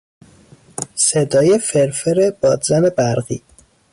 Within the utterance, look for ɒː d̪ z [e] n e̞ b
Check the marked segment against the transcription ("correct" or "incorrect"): incorrect